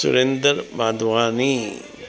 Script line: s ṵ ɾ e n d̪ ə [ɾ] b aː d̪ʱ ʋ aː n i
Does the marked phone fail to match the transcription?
no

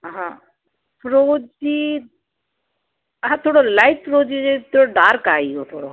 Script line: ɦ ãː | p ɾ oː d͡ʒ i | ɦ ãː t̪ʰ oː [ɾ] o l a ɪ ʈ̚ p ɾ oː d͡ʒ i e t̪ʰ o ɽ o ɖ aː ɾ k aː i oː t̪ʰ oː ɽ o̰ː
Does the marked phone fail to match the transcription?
yes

